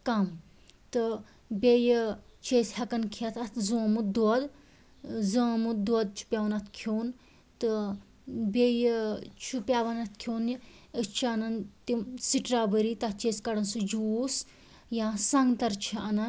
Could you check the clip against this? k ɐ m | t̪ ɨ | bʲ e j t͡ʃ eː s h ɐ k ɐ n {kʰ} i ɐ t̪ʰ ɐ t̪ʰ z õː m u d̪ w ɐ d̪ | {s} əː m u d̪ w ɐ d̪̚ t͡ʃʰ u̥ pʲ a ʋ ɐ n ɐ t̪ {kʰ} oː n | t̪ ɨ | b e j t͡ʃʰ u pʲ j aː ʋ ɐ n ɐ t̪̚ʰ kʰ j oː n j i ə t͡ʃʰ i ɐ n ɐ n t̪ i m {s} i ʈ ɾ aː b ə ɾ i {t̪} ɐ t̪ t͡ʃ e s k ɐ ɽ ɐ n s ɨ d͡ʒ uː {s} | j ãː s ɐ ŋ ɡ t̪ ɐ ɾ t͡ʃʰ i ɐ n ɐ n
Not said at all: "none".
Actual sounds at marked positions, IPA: kʰ, z, kʰ, s, t̪, s

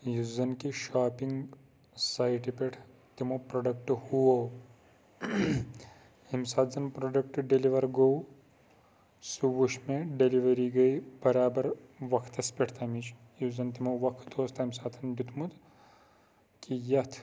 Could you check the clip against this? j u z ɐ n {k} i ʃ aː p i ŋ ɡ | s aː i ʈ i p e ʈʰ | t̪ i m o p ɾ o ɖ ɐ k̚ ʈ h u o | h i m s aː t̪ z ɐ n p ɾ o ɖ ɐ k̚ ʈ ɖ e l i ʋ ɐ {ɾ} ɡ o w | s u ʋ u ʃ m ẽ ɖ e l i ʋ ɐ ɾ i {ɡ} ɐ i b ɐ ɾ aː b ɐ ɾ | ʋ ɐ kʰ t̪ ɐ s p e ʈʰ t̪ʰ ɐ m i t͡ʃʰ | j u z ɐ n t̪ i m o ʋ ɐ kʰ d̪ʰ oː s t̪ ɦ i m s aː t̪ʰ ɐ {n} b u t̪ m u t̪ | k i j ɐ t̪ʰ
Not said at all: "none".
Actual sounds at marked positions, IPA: k, ɾ, ɡ, n

